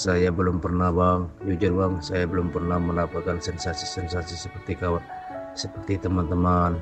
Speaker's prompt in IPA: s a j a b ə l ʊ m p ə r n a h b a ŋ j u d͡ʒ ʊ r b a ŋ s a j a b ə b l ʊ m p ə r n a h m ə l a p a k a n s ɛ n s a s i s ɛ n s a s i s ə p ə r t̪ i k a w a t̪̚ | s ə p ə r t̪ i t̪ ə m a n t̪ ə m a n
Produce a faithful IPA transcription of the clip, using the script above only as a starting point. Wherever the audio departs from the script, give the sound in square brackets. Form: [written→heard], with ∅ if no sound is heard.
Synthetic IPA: s a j a b ə l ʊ m p ə r n a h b a ŋ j u d͡ʒ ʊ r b a ŋ s a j a b ə [b→∅] l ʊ m p ə r n a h m ə l a p a k a n s ɛ n s a s i s ɛ n s a s i s ə p ə r t̪ i k a w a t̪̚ | s ə p ə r t̪ i t̪ ə m a n t̪ ə m a n